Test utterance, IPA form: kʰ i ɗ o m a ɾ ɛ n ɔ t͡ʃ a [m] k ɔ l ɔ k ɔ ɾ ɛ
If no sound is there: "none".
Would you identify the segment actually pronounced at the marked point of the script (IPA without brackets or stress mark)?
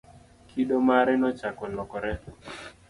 none